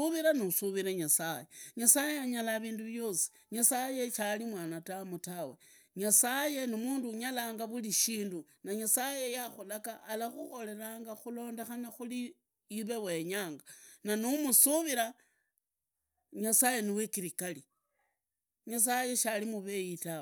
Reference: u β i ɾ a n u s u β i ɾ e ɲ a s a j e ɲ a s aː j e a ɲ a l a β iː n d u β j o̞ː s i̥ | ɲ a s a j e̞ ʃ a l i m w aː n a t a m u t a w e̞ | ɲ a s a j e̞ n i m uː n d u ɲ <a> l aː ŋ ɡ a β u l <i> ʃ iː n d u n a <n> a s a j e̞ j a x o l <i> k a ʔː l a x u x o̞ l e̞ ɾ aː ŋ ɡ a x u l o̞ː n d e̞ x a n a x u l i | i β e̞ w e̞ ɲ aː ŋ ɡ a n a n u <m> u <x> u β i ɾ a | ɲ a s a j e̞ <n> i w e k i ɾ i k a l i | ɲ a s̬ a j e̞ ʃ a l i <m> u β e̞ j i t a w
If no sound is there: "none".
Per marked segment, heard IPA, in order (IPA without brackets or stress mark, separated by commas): a, i, ɲ, a, m, s, n, m